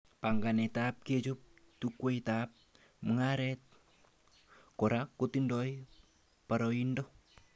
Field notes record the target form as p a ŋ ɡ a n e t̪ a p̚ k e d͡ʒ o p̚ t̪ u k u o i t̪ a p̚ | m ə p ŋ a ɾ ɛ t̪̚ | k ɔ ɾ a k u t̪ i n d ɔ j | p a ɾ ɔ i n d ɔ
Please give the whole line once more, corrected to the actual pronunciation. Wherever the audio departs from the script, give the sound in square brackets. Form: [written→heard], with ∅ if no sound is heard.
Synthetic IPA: p a ŋ ɡ a n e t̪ a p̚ k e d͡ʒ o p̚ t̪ u k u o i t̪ a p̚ | m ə [p→∅] ŋ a ɾ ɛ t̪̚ | k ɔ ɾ a k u t̪ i n d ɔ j | p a ɾ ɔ i n d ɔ